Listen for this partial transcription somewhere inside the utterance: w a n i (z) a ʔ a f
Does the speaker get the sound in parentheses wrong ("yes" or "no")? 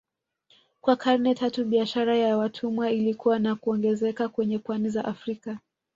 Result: no